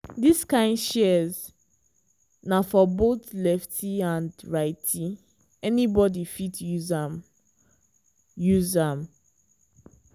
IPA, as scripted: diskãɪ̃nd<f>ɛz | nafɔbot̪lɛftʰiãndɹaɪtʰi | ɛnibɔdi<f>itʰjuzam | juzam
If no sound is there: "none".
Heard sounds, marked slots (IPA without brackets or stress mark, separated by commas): ʃ, f